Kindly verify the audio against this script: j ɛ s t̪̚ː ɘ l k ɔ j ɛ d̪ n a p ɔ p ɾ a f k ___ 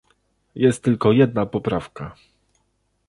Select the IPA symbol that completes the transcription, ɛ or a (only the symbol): a